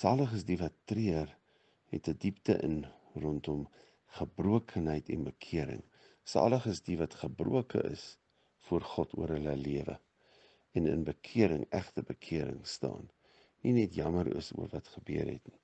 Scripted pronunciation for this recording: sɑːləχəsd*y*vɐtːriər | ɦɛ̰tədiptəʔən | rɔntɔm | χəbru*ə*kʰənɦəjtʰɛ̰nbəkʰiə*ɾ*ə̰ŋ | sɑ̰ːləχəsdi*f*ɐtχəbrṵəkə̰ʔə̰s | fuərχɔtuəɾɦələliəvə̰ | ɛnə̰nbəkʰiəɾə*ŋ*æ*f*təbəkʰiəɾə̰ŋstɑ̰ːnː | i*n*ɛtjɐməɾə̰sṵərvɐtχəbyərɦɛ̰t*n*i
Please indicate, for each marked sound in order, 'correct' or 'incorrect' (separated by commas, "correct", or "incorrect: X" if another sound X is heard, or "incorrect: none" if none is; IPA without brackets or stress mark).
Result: incorrect: i, correct, correct, incorrect: v, correct, incorrect: χ, correct, correct